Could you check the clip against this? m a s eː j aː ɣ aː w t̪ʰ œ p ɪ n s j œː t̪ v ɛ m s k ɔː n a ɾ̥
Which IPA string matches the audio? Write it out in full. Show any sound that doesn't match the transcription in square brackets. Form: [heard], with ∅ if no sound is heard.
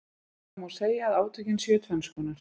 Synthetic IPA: m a s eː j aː [ð] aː w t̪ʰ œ [c] ɪ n s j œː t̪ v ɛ [n] s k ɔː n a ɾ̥

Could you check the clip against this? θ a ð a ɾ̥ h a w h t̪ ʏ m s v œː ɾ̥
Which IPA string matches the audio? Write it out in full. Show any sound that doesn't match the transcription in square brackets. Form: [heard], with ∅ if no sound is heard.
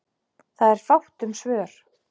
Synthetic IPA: θ a ð [ɛ] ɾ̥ [f] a w h t̪ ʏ m s v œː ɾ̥

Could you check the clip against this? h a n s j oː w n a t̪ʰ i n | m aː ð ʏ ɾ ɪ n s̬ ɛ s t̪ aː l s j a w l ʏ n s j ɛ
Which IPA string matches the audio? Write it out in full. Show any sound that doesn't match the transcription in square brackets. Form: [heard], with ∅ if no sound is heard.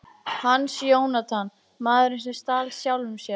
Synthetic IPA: h a [nː] s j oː w n a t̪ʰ [a] n | m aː ð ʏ ɾ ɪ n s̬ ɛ s t̪ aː l s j a w l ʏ [m] s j ɛ

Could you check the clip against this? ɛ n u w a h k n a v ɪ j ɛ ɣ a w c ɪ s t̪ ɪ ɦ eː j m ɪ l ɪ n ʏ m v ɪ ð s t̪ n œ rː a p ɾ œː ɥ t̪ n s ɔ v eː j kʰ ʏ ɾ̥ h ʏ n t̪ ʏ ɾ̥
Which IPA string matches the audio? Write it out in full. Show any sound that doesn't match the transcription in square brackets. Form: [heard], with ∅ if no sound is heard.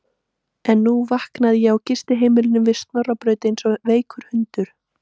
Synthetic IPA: ɛ [nː] u [v] a h k n a [ð] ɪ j ɛ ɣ a w c ɪ s t̪ ɪ ɦ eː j m ɪ l ɪ n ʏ m v ɪ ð s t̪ n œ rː a p ɾ œː ɥ t̪ n s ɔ v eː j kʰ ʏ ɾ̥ h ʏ n t̪ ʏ ɾ̥

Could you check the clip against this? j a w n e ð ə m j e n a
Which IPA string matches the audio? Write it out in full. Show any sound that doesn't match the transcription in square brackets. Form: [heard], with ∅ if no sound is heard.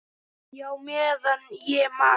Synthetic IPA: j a w [m] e ð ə [n] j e [m] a

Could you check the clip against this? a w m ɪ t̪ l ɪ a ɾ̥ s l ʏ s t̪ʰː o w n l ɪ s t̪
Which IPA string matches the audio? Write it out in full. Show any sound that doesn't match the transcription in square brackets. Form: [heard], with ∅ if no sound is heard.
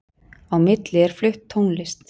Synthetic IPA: a w m ɪ t̪ l ɪ [ɛ] ɾ̥ [f] l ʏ [h] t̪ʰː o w n l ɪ s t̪

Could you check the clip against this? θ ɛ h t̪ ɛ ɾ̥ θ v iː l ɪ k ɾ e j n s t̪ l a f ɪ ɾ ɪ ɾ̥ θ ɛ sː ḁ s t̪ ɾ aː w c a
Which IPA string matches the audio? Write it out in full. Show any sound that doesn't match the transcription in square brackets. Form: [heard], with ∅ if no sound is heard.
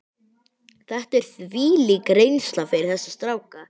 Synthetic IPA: θ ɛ h t̪ ɛ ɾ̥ θ v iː l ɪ k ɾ e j n s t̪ l a f ɪ ɾ ɪ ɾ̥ θ ɛ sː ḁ s t̪ ɾ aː w [k] a

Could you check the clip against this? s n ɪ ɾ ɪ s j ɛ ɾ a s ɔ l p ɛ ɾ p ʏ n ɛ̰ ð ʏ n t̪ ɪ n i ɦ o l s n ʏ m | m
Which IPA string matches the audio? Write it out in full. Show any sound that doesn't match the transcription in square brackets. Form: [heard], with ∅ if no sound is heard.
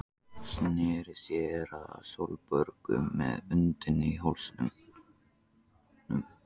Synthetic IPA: s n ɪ ɾ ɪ s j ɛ ɾ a s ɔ l p [œ] ɾ [k] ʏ [m] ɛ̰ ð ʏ n t̪ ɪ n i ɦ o l s n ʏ m | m

